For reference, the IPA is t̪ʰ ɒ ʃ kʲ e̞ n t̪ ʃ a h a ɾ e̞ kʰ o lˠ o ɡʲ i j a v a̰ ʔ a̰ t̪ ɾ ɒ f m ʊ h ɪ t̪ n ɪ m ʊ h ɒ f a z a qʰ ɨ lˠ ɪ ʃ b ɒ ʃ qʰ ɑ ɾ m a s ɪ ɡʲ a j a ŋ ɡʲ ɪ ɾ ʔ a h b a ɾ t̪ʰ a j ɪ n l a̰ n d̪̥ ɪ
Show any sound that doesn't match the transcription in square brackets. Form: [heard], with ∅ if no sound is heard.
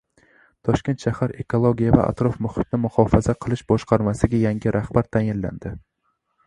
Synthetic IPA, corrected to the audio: t̪ʰ ɒ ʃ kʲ e̞ n t̪ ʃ a h a ɾ e̞ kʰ o lˠ o ɡʲ i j a v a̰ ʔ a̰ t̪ ɾ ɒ f m ʊ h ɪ t̪ n ɪ m ʊ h ɒ f a z a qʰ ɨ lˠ ɪ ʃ b ɒ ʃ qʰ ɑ ɾ m a s ɪ ɡʲ a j a ŋ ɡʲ ɪ ɾ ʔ a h b a ɾ t̪ʰ a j ɪ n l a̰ n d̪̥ ɪ